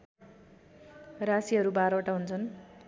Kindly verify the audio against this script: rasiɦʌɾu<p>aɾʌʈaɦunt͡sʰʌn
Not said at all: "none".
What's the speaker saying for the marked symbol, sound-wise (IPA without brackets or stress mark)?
b